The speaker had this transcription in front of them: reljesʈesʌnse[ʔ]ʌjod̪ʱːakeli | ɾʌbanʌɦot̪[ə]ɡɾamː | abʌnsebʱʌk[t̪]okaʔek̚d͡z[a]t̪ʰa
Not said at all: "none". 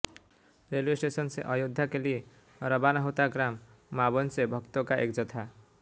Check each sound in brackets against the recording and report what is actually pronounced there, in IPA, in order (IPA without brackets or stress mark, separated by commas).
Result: ʔ, a, t̪, ʌ